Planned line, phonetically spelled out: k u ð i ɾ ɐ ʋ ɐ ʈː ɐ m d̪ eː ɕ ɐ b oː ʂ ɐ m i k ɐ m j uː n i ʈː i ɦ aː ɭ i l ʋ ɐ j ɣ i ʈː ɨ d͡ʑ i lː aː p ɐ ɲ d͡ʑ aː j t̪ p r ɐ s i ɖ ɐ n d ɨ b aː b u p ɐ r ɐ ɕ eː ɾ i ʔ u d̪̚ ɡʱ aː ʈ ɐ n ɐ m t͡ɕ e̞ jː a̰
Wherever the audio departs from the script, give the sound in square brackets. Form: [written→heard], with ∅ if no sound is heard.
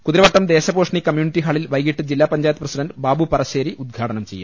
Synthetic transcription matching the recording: k u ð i ɾ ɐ ʋ ɐ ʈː ɐ m d̪ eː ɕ ɐ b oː ʂ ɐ [m→ɳ] i k ɐ m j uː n i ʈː i ɦ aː ɭ i l ʋ ɐ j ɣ i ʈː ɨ d͡ʑ i lː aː p ɐ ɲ d͡ʑ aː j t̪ p r ɐ s i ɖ ɐ n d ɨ b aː b u p ɐ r ɐ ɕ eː ɾ i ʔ u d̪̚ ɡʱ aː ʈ ɐ n ɐ m t͡ɕ e̞ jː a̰